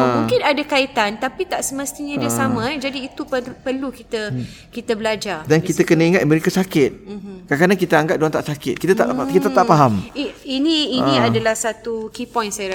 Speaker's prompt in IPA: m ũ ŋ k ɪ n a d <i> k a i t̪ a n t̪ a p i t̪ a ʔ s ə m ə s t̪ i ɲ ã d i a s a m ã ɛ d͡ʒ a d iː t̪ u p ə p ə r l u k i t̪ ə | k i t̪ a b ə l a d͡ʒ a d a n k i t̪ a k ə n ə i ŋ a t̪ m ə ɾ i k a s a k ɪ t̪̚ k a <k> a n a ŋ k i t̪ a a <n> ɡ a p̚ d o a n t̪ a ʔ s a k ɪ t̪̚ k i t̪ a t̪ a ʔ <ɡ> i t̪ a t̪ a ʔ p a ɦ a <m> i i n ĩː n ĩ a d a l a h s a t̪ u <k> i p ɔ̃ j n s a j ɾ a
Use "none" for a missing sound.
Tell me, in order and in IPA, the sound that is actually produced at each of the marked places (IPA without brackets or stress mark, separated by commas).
a, k, ŋ, k, m, k